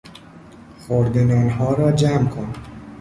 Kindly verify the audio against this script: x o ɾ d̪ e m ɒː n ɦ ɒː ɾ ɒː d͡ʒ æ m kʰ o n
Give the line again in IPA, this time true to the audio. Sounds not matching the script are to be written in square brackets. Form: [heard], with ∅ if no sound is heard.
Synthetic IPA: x o ɾ d̪ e [n] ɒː n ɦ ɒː ɾ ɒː d͡ʒ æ m kʰ o n